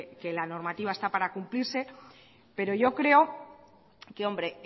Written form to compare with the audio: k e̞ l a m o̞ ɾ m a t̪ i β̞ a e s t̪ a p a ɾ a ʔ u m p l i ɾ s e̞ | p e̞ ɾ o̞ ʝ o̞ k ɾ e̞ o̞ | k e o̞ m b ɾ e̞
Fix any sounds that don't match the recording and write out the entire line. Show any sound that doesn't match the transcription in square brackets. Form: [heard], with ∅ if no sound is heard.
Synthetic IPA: k e̞ l a [n] o̞ ɾ m a t̪ i β̞ a e s t̪ a p a ɾ a [k] u m p l i ɾ s e̞ | p e̞ ɾ o̞ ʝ o̞ k ɾ e̞ o̞ | k e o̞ m b ɾ e̞